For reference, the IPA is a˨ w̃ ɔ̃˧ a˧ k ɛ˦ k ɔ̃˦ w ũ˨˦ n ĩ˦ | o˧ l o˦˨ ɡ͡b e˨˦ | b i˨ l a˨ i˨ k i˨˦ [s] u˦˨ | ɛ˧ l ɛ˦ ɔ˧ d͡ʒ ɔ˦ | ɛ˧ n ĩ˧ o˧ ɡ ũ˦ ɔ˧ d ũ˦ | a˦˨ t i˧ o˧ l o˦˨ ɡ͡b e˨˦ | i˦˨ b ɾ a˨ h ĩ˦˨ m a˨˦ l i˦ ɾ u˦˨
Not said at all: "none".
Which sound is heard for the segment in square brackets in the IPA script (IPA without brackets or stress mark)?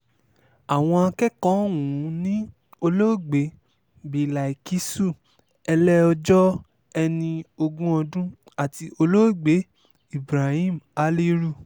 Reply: s